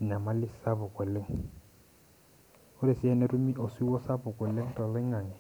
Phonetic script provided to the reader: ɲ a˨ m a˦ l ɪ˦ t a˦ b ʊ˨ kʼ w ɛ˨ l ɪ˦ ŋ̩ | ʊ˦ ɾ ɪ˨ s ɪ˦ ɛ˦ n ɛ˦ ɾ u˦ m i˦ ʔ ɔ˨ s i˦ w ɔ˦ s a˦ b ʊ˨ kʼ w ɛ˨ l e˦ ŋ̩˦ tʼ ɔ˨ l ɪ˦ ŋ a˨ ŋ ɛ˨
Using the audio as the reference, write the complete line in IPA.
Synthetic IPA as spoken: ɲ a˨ m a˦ l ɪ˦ s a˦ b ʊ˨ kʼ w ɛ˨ l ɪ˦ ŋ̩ | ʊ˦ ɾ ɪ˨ s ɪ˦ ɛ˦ n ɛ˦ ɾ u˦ m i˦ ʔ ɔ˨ s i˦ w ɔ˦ s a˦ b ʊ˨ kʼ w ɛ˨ l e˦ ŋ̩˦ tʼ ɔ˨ l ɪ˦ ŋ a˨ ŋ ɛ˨